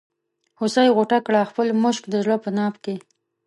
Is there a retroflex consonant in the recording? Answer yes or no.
yes